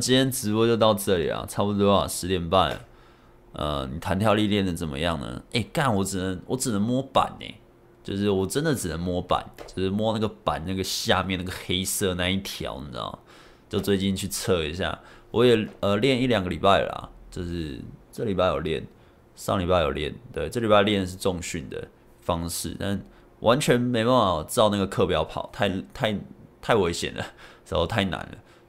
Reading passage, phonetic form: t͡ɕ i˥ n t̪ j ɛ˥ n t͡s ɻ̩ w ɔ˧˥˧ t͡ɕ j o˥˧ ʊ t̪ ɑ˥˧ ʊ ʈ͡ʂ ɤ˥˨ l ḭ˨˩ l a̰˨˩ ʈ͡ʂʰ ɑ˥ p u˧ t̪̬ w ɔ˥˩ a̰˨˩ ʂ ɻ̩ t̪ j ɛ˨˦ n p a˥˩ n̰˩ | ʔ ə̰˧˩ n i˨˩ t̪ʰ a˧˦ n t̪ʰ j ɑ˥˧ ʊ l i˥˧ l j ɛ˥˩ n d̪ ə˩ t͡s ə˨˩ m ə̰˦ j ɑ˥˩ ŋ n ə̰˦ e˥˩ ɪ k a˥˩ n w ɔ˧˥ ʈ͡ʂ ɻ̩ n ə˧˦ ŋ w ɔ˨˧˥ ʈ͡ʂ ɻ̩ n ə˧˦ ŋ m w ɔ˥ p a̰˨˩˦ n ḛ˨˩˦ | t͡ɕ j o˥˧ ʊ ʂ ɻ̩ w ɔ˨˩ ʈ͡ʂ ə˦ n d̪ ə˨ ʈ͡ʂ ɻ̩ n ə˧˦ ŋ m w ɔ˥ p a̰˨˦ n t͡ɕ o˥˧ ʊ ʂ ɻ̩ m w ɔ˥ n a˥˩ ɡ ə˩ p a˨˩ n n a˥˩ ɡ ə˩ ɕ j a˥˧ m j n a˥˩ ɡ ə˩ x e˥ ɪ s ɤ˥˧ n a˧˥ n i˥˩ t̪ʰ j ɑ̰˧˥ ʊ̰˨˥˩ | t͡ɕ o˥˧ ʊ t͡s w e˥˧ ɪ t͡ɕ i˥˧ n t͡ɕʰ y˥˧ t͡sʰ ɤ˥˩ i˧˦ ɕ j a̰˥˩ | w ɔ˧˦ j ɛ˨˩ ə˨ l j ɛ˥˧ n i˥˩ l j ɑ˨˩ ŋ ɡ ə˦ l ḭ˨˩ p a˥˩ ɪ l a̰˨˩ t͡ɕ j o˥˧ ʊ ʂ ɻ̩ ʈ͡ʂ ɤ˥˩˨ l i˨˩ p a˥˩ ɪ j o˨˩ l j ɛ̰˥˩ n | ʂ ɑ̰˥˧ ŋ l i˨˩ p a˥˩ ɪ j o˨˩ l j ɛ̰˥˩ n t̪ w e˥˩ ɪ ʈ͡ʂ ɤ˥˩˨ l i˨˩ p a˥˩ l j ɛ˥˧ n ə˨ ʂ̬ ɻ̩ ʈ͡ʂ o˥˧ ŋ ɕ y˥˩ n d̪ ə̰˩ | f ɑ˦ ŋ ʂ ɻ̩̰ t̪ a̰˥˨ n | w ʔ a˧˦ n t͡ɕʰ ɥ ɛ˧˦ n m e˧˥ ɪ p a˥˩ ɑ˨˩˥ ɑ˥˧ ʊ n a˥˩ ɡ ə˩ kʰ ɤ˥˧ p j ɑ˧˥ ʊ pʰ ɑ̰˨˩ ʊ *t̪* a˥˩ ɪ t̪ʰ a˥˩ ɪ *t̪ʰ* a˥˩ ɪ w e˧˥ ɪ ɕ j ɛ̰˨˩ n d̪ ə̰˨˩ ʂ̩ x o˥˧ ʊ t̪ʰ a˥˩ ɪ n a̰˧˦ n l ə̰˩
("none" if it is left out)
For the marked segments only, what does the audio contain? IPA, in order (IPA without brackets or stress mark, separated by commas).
t̪ʰ, t̪ʰ